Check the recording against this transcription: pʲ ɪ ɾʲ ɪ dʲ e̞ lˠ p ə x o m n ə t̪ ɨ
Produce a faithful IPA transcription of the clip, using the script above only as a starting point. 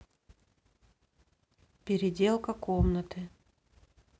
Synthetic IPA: pʲ ɪ ɾʲ ɪ dʲ e̞ lˠ k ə k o m n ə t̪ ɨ